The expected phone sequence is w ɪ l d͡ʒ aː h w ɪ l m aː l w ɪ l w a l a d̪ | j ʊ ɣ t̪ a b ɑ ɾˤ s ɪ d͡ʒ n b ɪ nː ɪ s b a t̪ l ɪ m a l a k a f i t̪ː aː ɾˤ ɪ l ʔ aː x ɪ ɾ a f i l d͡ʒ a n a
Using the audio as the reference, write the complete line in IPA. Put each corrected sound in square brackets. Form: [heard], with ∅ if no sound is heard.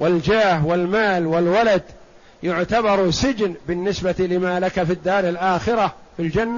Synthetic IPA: w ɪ l d͡ʒ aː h w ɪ l m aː l w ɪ l w a l a d̪ | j ʊ [ʕ] t̪ a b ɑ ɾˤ s ɪ d͡ʒ n b ɪ nː ɪ s b a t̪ l ɪ m a l a k a f i [d̪ː] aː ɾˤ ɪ l ʔ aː x ɪ ɾ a f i l d͡ʒ a [nː] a